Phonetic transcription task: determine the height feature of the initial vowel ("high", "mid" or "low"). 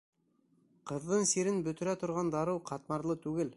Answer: mid